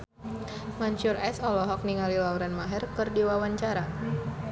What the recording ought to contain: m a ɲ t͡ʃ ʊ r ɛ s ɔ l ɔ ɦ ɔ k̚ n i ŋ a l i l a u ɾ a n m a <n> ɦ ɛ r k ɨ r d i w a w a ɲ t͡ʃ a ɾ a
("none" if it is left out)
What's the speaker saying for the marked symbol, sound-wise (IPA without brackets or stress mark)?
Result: none